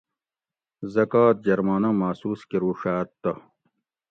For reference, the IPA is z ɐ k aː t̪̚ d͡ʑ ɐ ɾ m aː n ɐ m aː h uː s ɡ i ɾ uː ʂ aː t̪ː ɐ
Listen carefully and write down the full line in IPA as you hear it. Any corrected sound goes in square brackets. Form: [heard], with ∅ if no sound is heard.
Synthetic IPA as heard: z ɐ k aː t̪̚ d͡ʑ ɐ ɾ m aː n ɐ m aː [s] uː s [k] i ɾ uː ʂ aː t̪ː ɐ